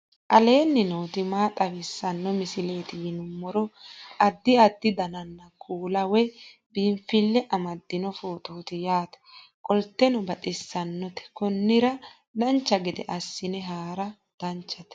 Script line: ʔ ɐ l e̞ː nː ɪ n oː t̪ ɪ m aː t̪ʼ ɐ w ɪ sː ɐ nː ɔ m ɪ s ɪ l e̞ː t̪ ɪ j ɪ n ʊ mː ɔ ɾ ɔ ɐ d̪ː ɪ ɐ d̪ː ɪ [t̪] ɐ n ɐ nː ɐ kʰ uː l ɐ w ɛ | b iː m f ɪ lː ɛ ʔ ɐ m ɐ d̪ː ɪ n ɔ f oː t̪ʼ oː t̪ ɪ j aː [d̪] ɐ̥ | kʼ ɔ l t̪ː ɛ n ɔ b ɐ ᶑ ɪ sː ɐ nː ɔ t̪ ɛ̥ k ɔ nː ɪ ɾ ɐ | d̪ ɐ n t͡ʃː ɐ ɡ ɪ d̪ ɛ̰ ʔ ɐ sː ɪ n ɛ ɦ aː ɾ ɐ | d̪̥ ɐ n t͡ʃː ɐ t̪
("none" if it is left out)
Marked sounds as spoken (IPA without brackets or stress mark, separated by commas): d̪, t̪